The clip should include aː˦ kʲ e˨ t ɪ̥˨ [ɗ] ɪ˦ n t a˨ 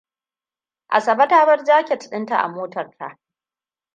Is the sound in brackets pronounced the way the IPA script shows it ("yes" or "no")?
yes